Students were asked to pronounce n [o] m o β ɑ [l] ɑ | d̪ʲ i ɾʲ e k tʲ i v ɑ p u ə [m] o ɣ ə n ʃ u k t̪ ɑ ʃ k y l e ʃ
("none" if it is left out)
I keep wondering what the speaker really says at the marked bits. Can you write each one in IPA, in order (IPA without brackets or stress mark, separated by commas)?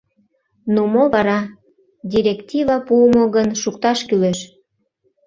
u, ɾ, m